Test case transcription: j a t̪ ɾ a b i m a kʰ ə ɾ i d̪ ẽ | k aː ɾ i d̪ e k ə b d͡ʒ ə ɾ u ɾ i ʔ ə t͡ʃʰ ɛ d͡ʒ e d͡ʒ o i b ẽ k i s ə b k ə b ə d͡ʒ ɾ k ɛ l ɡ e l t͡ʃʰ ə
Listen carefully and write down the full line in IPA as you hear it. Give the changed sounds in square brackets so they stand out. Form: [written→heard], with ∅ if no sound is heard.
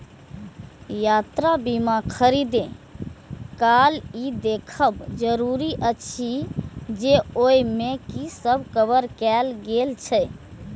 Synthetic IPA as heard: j a t̪ ɾ a b i m a kʰ ə ɾ i d̪ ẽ | k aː [ɾ→l] i d̪ e [k→kʰ] ə b d͡ʒ ə ɾ u ɾ i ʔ ə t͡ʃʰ [ɛ→i] d͡ʒ e [d͡ʒ→∅] o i [b→m] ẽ k i s ə b k ə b ə [d͡ʒ→∅] ɾ k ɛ l ɡ e l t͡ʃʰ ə